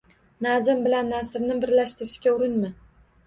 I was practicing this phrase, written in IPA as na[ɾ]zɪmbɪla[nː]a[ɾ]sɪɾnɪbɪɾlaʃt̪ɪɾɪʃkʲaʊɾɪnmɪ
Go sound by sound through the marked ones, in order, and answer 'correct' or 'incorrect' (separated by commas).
incorrect, correct, incorrect